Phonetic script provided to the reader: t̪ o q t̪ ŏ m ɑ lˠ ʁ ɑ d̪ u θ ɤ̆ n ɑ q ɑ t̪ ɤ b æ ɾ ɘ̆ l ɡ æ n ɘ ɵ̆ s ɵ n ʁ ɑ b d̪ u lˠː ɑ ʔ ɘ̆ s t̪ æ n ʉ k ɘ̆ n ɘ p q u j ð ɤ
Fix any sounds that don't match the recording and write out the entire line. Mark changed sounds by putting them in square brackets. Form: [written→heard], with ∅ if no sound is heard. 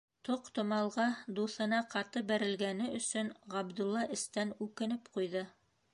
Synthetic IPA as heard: t̪ o q t̪ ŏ m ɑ lˠ ʁ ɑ d̪ u θ ɤ̆ n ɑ q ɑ t̪ ɤ b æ ɾ ɘ̆ l ɡ æ n ɘ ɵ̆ s ɵ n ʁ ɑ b d̪ u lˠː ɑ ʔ ɘ̆ s t̪ æ n ʉ k ɘ̆ n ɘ p q u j ð ɤ